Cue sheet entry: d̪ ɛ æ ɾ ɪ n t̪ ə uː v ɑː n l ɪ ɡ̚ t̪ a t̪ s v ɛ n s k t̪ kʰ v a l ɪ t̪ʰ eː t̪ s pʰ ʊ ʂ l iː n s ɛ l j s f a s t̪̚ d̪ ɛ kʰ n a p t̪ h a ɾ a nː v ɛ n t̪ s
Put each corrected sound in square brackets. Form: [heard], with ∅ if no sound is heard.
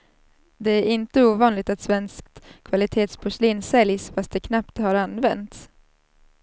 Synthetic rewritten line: d̪ ɛ æ ɾ ɪ n t̪ ə uː v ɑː n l ɪ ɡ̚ t̪ a t̪ s v ɛ n s k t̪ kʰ v a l ɪ t̪ʰ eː t̪ s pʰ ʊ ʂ l iː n s ɛ l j s f a s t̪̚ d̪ ɛ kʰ n a p t̪ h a ɾ a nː v ɛ n t̪ s